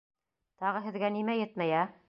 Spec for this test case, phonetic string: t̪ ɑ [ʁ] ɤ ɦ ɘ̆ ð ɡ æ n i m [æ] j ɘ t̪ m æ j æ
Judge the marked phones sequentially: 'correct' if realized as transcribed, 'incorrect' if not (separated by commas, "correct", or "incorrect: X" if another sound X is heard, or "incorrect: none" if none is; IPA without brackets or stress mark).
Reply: correct, correct